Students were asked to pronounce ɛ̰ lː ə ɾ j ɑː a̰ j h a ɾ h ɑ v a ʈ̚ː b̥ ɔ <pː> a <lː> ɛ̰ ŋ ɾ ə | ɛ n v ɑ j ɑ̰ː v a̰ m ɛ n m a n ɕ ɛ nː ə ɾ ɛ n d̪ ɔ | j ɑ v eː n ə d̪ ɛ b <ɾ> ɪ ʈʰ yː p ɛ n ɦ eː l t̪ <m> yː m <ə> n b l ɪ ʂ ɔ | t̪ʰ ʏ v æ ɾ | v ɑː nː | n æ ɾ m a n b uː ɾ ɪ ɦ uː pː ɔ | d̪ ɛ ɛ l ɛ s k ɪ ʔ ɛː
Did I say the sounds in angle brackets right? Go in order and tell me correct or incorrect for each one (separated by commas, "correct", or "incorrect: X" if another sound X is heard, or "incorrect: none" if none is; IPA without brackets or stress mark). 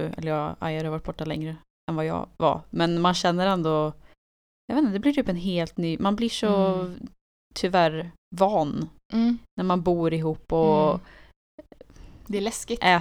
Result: incorrect: ʈː, incorrect: l, incorrect: l, incorrect: n, incorrect: a